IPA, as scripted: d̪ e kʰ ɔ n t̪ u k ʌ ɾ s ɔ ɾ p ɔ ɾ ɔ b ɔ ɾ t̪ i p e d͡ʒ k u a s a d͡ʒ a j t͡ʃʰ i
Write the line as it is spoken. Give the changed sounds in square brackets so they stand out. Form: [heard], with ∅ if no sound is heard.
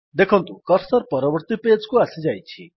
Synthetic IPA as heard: d̪ e kʰ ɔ n t̪ u k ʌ ɾ s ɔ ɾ p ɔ ɾ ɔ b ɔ ɾ t̪ i p e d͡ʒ k u a s [i] d͡ʒ a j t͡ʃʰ i